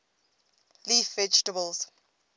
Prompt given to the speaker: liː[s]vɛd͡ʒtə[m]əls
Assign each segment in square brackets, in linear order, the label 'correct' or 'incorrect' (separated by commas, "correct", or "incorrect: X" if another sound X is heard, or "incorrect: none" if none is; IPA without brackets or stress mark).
incorrect: f, incorrect: b